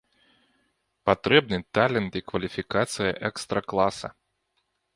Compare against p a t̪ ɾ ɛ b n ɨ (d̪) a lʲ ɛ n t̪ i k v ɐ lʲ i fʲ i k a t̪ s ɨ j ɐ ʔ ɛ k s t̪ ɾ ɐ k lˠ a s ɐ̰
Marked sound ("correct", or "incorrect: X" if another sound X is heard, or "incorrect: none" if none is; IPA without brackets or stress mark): incorrect: t̪